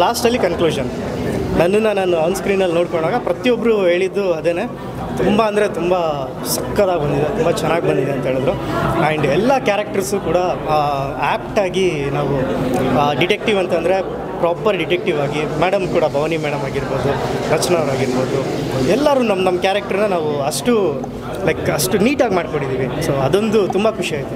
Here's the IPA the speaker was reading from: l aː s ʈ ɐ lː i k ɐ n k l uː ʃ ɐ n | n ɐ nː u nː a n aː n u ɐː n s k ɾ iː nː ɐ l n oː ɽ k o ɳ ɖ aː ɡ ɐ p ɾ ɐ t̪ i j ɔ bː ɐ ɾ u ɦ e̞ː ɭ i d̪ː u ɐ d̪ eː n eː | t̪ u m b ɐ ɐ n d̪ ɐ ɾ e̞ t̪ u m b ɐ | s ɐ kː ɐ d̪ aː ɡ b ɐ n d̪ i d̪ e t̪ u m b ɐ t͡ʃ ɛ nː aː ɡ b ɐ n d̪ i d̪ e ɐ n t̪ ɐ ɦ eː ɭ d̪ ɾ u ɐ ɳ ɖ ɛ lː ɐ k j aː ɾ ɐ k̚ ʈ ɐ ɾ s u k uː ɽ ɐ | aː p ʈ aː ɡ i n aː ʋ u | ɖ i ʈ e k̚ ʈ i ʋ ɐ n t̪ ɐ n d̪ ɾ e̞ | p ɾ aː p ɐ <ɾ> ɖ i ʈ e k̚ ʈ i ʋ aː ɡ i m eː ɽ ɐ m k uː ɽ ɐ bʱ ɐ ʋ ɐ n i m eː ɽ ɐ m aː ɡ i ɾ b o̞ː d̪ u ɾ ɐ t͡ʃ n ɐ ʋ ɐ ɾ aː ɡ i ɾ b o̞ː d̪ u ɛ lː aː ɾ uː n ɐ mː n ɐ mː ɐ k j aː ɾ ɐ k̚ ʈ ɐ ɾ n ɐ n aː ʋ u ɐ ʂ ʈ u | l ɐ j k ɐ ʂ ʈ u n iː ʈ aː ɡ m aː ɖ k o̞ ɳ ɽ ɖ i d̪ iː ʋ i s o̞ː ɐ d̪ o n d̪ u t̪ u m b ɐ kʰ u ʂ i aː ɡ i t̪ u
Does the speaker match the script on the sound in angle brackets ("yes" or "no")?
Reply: yes